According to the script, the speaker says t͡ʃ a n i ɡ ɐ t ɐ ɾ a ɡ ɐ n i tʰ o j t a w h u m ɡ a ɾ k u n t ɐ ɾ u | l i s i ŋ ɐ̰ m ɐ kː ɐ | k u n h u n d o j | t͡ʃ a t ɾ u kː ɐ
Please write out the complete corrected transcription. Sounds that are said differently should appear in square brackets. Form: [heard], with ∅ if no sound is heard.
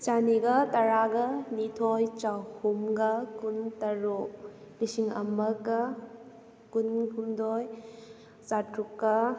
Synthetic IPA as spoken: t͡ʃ a n i ɡ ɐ t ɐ ɾ a ɡ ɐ n i tʰ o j [t͡ʃ] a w h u m ɡ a [∅] k u n t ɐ ɾ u | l i s i ŋ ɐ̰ m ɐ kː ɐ | k u n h u [m] d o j | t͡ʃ a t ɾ u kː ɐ